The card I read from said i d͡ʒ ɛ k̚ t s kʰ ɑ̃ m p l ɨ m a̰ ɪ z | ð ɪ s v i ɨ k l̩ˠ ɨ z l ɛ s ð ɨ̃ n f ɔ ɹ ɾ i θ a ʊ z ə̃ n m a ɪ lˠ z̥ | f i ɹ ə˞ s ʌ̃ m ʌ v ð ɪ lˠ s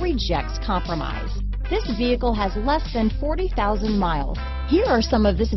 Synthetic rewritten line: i d͡ʒ ɛ k̚ t s kʰ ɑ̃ m p ɹ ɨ m a̰ ɪ z | ð ɪ s v i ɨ k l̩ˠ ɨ z l ɛ s ð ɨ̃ n f ɔ ɹ ɾ i θ a ʊ z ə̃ n m a ɪ lˠ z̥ | h i ɹ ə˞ s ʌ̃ m ʌ v ð ɪ s